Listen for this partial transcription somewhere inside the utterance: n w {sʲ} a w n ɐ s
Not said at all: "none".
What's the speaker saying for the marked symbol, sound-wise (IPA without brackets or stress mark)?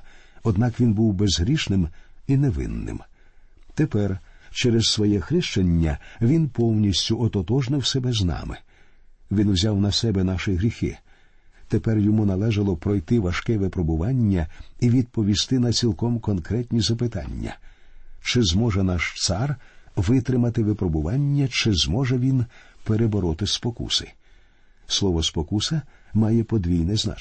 zʲ